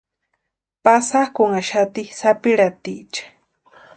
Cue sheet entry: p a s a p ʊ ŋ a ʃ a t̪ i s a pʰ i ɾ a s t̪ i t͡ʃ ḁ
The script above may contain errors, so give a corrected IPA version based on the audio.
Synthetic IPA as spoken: p a s a k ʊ ŋ a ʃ a t̪ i s a p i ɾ a t̪ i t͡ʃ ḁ